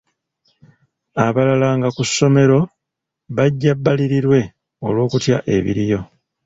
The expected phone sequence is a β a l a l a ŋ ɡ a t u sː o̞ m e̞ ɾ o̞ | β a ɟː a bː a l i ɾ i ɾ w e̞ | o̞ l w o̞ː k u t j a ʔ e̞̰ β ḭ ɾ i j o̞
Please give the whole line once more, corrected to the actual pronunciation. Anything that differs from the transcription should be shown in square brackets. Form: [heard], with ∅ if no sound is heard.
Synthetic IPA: a β a l a l a ŋ ɡ a [k] u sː o̞ m e̞ ɾ o̞ | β a ɟː a bː a l i ɾ i ɾ w e̞ | o̞ l w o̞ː k u t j a ʔ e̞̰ β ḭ ɾ i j o̞